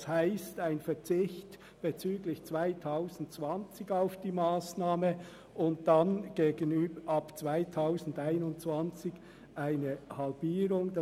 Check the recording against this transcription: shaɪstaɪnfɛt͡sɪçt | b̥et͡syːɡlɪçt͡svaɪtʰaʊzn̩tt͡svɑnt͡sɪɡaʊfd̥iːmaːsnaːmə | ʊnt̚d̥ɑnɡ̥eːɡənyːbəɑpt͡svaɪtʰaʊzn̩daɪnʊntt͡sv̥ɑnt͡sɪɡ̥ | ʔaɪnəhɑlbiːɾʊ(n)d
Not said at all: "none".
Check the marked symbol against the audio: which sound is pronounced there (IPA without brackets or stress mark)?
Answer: ŋ